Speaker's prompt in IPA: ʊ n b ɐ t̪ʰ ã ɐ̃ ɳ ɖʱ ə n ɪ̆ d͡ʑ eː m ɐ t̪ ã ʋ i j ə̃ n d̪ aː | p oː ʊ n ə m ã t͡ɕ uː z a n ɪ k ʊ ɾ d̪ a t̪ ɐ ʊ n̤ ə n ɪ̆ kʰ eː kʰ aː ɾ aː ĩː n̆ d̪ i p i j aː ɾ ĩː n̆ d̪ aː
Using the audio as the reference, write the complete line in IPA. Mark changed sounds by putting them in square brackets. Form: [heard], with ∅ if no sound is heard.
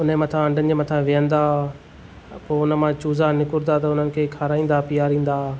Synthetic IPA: ʊ n [m] ɐ t̪ʰ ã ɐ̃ ɳ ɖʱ ə n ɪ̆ d͡ʑ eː m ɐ [t̪ʰ] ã ʋ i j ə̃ n d̪ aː | p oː ʊ n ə m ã t͡ɕ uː z a n ɪ k ʊ ɾ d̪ a t̪ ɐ ʊ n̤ ə n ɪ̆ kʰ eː kʰ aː ɾ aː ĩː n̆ d̪ [a] p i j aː ɾ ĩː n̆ d̪ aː